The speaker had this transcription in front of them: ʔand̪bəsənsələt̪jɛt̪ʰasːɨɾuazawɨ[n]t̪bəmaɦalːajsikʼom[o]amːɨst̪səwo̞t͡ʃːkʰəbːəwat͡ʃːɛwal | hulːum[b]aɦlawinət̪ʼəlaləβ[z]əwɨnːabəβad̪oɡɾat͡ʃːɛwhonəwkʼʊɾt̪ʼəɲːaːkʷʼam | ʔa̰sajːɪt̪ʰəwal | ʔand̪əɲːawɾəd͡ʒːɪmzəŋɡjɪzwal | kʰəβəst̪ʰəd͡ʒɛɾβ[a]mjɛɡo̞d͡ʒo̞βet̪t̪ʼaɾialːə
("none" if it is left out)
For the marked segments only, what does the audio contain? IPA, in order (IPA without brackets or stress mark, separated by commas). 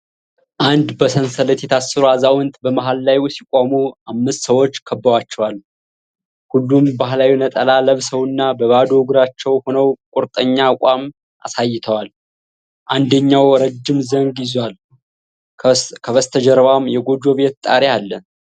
n, u, b, s, a